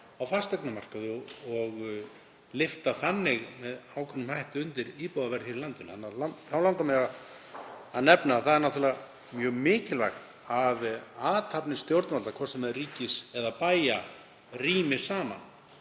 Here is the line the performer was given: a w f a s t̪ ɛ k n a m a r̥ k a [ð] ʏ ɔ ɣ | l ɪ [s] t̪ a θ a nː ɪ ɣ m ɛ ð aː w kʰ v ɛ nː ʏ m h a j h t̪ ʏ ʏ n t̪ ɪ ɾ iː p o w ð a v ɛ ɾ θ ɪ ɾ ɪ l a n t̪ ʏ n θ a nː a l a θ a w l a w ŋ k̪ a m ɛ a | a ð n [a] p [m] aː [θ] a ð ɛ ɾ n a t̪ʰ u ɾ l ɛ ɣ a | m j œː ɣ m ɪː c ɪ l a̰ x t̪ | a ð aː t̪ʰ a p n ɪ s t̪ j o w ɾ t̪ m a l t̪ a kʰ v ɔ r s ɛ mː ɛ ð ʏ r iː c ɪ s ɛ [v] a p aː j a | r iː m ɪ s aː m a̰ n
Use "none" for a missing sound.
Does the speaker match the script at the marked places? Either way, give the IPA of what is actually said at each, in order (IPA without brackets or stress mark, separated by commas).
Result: ð, f, ɛ, n, θ, ð